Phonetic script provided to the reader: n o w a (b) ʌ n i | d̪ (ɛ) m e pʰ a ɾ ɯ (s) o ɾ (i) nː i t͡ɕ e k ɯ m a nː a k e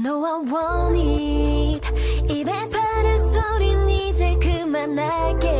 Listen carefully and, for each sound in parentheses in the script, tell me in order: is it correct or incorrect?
incorrect: w, incorrect: i, correct, correct

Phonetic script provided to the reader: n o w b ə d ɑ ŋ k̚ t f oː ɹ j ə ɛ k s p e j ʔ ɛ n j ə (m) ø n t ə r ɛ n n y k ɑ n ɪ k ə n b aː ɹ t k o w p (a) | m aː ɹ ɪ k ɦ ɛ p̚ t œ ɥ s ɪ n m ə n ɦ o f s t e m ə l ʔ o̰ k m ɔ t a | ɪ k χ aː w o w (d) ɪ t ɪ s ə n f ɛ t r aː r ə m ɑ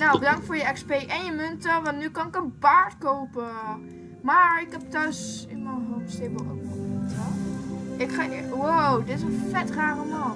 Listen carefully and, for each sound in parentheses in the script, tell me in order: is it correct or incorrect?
correct, incorrect: ə, correct

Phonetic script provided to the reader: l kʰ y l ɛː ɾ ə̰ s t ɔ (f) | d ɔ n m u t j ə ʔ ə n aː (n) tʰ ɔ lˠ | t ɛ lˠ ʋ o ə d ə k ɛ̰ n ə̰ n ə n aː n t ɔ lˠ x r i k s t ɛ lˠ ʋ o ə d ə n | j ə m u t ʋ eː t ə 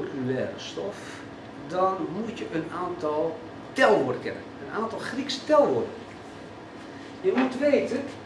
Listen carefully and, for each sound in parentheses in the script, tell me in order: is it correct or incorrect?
correct, correct

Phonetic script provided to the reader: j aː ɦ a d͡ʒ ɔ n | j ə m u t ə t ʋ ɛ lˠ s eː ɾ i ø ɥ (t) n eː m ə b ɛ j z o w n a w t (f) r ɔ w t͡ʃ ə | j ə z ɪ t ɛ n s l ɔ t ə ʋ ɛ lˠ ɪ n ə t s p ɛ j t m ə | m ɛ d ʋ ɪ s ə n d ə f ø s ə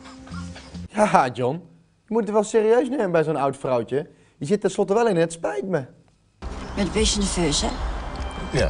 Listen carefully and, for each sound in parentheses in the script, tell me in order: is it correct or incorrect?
incorrect: s, correct

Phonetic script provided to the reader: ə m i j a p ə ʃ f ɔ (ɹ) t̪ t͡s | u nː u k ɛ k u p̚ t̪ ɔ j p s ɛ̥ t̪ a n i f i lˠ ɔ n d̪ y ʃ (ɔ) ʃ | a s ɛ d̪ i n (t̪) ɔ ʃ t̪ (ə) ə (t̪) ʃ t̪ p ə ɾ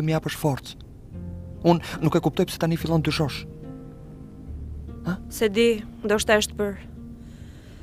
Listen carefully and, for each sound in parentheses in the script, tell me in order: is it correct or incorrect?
incorrect: ɾ, correct, incorrect: d̪, incorrect: a, incorrect: none

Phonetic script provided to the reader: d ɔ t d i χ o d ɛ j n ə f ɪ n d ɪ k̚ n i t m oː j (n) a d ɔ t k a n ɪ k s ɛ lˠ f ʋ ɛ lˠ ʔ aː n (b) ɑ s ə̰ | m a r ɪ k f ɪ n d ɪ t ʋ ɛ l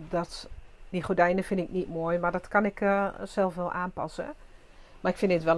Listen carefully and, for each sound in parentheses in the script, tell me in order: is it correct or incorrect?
incorrect: m, incorrect: p

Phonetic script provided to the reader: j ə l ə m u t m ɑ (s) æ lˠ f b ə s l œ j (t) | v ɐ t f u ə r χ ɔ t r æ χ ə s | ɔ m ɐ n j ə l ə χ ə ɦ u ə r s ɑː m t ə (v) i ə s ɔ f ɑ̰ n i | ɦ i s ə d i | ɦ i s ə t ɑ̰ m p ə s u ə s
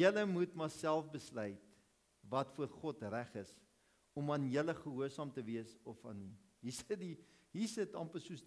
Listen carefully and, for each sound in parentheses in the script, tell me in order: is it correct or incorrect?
correct, correct, correct

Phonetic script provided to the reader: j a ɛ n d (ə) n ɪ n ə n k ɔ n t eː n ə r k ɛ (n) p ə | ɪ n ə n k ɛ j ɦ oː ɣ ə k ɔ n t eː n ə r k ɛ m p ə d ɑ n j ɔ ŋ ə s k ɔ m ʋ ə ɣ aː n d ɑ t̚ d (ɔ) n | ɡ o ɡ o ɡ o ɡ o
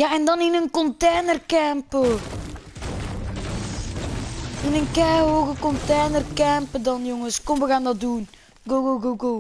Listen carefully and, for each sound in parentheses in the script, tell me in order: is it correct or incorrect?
incorrect: ɑ, incorrect: m, incorrect: u

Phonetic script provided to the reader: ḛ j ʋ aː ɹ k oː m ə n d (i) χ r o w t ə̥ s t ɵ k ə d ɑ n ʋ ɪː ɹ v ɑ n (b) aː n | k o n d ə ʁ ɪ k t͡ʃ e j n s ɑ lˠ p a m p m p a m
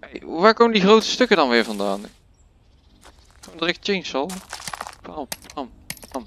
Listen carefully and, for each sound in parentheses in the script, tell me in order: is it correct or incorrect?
correct, incorrect: d

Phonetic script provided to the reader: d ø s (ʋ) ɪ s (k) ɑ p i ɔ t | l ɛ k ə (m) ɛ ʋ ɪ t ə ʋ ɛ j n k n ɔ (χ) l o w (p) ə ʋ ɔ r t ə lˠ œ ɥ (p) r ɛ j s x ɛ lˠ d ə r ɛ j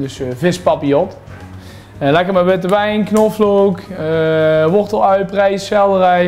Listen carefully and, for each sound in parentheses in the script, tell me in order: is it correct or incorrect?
incorrect: v, incorrect: p, correct, incorrect: f, incorrect: k, correct

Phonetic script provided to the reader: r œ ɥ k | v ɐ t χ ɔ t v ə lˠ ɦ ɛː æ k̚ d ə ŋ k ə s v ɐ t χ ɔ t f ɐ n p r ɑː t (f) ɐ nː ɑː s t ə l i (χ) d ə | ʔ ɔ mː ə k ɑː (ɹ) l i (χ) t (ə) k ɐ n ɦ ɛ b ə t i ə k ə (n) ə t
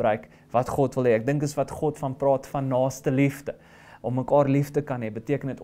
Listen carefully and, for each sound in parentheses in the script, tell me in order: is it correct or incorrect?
correct, incorrect: f, incorrect: r, incorrect: f, correct, correct

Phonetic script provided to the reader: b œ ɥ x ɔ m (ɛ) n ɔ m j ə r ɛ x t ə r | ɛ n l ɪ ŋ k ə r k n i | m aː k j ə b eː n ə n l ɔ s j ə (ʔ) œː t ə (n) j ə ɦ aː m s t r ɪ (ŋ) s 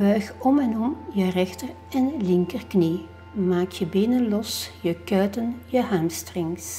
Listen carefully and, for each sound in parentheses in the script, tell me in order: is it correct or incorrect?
correct, incorrect: k, correct, correct

